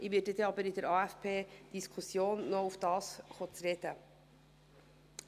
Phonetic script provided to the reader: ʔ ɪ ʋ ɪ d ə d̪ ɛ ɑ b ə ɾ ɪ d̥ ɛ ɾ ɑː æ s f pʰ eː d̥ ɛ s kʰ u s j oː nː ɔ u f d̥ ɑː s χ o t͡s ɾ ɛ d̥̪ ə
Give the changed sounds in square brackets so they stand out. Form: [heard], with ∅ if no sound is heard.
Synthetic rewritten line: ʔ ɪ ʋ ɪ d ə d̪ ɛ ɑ b ə ɾ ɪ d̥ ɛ ɾ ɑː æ [∅] f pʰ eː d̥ [i] s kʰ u s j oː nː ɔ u f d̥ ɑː s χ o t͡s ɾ ɛ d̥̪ ə